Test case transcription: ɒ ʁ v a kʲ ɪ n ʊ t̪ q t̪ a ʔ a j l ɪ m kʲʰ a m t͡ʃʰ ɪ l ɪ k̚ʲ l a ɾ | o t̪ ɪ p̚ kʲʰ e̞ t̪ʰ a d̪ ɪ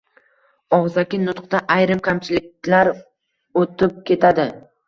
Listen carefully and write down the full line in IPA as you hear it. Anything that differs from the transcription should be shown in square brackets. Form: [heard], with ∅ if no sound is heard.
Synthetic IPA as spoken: ɒ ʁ [z] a kʲ ɪ n ʊ t̪ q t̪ a ʔ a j [ɾ] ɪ m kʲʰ a m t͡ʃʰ ɪ l ɪ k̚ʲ l a ɾ | o t̪ ɪ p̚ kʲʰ e̞ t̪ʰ a d̪ ɪ